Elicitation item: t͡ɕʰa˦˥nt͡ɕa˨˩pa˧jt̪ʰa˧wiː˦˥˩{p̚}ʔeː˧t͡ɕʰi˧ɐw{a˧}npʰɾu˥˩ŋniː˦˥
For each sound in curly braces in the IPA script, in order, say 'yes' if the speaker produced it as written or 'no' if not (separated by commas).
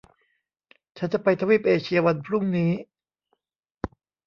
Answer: yes, yes